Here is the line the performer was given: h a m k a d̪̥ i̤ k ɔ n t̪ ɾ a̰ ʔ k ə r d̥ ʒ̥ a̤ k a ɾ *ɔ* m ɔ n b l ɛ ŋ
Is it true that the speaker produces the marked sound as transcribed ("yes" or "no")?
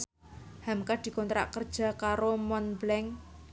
no